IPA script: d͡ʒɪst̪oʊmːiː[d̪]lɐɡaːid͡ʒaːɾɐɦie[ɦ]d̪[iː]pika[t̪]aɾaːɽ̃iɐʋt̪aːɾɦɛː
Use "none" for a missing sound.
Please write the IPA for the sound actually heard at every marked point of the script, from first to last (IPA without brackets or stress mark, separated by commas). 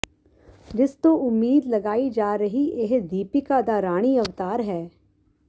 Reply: d̪, ɦ, iː, d̪